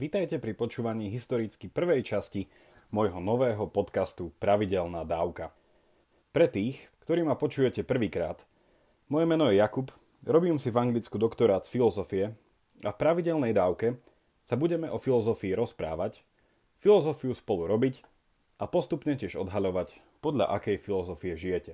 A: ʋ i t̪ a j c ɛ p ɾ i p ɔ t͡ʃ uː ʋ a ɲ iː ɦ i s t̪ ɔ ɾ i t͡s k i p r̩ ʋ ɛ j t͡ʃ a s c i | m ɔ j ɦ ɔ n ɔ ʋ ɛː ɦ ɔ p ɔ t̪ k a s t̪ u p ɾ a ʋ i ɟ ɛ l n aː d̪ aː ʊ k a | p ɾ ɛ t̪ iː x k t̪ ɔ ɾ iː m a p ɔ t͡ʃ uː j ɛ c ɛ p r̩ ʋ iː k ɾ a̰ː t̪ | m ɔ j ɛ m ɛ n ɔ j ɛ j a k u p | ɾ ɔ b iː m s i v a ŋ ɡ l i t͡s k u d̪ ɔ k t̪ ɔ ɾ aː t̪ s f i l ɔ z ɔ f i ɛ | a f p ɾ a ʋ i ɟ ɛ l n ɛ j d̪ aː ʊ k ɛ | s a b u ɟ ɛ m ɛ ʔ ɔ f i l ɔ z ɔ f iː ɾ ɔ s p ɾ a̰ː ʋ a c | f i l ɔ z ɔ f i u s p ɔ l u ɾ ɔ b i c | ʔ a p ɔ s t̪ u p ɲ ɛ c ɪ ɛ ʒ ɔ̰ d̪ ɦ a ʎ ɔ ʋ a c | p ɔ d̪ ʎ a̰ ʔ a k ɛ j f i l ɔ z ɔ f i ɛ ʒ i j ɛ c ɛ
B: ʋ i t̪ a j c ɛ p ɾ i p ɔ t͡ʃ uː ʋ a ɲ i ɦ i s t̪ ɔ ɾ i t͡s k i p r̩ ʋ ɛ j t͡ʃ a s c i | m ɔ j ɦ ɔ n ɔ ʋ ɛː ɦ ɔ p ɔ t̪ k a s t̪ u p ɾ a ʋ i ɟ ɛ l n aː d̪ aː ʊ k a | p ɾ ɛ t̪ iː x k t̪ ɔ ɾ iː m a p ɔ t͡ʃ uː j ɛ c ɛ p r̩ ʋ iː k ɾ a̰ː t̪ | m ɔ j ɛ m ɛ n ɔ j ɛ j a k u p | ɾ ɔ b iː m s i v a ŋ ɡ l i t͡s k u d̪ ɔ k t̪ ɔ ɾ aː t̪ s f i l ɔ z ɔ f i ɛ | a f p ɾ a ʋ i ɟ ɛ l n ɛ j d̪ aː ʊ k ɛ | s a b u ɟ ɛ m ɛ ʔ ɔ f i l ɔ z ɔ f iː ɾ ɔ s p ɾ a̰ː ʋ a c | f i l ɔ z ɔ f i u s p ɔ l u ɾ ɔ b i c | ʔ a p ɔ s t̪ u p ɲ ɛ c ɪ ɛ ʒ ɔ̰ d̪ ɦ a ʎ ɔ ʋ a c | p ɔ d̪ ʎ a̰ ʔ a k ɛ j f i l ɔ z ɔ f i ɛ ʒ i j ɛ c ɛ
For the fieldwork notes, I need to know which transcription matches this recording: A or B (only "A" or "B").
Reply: A